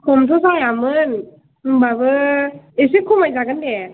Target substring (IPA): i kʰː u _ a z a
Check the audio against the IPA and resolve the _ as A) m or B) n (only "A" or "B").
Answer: A